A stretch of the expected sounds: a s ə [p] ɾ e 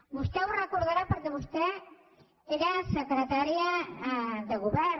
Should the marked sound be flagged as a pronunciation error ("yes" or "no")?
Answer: yes